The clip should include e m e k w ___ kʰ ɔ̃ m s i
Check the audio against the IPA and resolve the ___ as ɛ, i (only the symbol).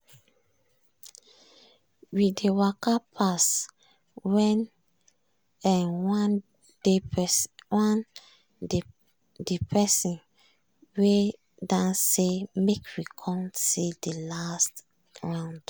i